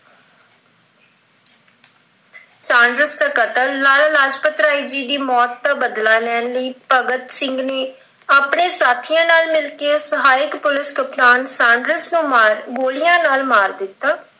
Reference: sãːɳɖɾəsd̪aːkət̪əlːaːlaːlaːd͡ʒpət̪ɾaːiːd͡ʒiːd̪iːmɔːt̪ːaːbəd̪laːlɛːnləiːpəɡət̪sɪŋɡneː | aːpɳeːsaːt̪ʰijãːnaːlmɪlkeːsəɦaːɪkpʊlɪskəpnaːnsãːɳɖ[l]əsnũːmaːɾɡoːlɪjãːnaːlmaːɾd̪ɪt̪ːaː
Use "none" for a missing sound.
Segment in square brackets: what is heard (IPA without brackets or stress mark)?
ɾ